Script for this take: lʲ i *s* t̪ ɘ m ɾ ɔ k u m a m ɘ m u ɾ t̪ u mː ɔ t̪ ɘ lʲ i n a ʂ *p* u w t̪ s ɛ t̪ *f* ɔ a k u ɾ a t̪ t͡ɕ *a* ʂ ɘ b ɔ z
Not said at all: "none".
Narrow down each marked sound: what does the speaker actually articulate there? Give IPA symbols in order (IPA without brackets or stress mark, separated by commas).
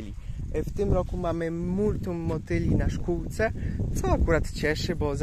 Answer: f, k, s, ɛ